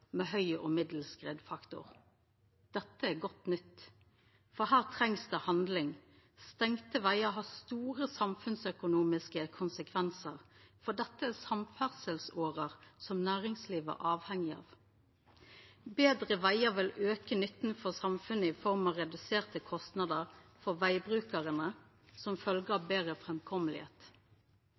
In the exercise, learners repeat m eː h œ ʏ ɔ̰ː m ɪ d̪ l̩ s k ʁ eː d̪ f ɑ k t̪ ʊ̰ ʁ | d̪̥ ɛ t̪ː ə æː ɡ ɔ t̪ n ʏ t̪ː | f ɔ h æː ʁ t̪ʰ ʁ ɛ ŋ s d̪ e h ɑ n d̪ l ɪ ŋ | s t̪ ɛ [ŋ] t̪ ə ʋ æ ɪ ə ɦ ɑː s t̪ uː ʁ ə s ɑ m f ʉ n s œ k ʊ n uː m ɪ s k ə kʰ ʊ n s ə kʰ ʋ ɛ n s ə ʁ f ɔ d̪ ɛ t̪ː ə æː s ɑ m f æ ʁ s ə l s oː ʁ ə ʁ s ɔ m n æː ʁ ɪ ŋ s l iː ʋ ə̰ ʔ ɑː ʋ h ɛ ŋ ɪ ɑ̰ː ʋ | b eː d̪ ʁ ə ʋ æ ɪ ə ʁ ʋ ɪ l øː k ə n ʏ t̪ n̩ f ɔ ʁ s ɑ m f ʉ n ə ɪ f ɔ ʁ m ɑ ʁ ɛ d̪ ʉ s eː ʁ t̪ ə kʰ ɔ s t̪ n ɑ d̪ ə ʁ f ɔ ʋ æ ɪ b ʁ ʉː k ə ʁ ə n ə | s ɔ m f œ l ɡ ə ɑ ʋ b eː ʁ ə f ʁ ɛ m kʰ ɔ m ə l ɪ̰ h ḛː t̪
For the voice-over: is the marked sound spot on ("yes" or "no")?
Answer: yes